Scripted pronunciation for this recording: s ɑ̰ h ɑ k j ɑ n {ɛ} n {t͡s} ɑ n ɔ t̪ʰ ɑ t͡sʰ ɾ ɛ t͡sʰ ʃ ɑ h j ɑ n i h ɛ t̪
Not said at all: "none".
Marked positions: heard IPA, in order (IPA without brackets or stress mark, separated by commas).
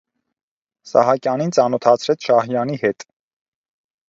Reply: i, t͡s